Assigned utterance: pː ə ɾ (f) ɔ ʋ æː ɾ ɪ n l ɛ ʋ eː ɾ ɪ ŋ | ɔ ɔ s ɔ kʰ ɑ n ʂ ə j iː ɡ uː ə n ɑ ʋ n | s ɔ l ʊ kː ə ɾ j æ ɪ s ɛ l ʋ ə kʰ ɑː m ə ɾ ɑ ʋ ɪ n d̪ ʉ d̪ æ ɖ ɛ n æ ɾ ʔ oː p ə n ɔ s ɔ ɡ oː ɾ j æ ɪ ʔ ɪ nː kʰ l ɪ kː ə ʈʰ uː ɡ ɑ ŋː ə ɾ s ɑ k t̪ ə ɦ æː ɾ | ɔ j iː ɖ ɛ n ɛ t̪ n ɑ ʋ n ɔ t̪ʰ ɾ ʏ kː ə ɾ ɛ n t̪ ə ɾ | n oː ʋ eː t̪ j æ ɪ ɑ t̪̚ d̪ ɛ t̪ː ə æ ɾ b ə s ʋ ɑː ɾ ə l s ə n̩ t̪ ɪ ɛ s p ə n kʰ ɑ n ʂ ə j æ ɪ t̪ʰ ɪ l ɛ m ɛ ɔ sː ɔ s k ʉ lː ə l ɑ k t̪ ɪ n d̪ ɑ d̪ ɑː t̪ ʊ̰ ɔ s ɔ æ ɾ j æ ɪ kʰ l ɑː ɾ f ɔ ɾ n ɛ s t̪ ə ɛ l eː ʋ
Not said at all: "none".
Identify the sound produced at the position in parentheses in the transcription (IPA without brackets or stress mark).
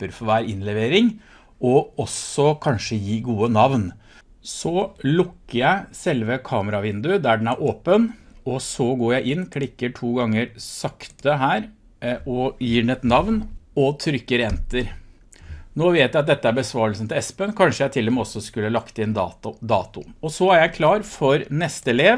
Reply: f